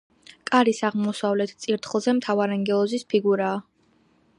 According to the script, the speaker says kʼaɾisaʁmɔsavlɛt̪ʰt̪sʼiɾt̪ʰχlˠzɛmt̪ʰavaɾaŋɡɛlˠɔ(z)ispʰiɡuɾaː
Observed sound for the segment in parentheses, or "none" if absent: z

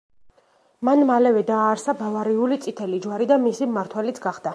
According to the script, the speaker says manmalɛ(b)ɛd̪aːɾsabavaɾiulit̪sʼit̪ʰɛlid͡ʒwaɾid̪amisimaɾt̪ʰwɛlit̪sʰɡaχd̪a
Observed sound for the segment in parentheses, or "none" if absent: v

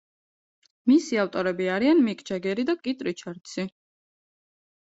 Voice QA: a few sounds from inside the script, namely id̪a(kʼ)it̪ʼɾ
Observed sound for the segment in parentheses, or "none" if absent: kʼ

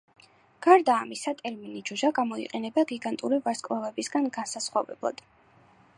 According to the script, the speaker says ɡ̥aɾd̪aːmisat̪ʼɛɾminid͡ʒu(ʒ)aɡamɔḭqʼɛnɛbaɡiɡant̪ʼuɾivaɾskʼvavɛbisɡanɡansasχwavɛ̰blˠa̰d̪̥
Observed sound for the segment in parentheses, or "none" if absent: ʒ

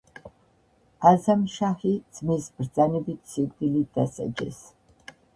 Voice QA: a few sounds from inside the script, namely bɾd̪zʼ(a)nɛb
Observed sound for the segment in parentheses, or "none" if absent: a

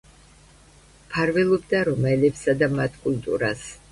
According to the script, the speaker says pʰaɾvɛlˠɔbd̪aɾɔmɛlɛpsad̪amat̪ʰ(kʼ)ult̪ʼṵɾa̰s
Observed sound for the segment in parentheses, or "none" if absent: kʼ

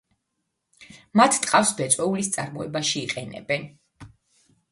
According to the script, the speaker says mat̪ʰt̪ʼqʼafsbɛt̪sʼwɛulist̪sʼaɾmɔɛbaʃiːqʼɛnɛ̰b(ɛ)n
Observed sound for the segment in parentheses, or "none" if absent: ɛ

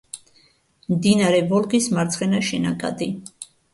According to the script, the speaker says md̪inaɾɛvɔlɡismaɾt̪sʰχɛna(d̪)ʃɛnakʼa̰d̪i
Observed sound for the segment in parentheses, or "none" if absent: none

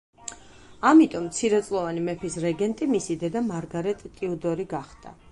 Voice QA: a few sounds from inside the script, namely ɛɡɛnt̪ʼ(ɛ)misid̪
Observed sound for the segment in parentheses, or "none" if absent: i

